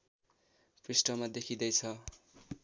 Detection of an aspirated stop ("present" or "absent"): present